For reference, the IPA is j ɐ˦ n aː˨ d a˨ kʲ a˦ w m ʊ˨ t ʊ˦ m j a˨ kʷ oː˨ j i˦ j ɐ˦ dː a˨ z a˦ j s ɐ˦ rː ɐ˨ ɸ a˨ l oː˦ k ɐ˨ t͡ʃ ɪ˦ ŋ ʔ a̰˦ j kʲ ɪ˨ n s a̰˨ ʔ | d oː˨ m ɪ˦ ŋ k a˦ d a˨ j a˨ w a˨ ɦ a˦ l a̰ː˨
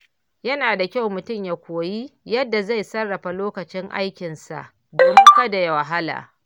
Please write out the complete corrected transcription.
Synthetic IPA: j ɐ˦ n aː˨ d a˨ kʲ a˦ w m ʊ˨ t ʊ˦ m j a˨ kʷ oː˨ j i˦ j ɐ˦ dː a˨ z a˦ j s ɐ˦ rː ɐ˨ ɸ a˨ l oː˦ k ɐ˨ t͡ʃ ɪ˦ ŋ ʔ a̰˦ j kʲ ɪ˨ n s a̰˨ ʔ | d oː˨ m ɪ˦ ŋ k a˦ d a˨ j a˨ w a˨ ɦ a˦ l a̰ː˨